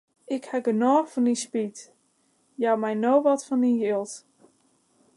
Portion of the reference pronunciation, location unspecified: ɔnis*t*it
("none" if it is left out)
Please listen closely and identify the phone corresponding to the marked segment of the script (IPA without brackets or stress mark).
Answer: p